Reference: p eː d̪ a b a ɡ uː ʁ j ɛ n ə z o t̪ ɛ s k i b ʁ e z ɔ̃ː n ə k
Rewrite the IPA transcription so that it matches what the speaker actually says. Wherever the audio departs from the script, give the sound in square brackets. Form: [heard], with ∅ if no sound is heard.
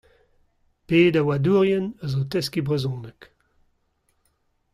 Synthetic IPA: p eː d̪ a [w] a [d] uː ʁ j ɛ n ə z o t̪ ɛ s k i b ʁ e z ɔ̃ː n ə k